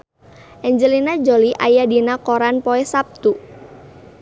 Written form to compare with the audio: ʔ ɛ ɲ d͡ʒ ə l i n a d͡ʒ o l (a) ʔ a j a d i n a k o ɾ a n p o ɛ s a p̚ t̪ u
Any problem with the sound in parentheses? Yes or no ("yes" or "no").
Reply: yes